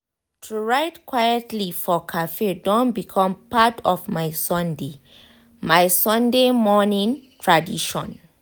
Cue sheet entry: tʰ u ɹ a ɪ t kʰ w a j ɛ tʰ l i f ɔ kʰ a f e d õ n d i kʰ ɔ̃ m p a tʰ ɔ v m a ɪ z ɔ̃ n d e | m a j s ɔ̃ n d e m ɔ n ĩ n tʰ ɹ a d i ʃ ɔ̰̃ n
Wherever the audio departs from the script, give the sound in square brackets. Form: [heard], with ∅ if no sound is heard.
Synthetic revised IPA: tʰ u ɹ a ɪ t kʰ w a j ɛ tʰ l i f ɔ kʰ a f e d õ n [b] i kʰ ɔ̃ m p a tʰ ɔ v m a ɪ [s] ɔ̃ n d e | m a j s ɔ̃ n d e m ɔ n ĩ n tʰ ɹ a d i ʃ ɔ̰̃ n